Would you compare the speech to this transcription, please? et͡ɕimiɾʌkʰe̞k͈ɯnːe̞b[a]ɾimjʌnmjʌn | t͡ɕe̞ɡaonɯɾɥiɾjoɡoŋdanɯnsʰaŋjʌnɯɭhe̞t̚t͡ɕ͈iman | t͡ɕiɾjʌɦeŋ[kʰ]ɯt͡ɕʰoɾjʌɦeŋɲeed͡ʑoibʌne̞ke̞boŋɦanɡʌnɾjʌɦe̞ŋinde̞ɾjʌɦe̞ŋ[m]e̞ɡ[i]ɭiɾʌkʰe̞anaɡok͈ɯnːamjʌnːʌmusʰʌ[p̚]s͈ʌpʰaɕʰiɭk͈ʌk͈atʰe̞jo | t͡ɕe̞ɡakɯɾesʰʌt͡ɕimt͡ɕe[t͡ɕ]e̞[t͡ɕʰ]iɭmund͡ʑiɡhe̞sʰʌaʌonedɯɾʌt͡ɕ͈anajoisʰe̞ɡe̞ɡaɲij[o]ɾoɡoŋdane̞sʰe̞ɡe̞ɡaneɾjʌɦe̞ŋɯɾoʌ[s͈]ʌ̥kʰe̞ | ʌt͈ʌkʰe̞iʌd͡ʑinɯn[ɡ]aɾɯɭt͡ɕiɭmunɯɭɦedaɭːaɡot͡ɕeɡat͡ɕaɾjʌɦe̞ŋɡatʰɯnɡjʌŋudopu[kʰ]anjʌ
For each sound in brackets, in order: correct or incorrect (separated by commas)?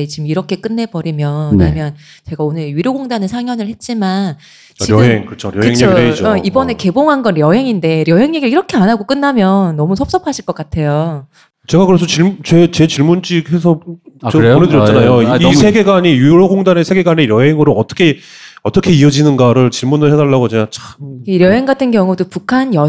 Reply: incorrect, incorrect, incorrect, correct, correct, correct, incorrect, incorrect, incorrect, correct, correct